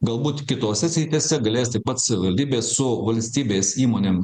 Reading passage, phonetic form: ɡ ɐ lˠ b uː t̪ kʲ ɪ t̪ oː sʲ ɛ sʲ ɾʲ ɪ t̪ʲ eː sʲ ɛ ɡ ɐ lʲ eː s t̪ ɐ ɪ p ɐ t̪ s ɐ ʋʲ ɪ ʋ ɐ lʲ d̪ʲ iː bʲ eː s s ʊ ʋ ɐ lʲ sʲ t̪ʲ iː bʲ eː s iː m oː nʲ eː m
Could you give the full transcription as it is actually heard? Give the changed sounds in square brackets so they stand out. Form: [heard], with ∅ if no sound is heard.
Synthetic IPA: ɡ ɐ lˠ b uː t̪ kʲ ɪ t̪ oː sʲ ɛ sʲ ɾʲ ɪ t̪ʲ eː sʲ ɛ ɡ ɐ lʲ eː s t̪ ɐ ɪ p ɐ t̪ s ɐ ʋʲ ɪ ʋ ɐ lʲ d̪ʲ iː bʲ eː s s ʊ ʋ ɐ lʲ sʲ t̪ʲ iː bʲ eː s iː m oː nʲ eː m